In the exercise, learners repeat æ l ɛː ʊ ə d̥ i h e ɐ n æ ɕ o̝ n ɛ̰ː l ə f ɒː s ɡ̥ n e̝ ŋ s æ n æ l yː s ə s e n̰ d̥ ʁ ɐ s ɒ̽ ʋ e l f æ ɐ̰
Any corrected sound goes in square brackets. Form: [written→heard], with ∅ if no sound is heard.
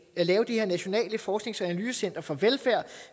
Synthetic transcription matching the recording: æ l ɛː ʊ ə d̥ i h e ɐ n æ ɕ o̝ n ɛ̰ː l ə f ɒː s ɡ̥ n e̝ ŋ s æ n æ l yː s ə s e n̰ d̥ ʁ ɐ [s→f] ɒ̽ ʋ e l f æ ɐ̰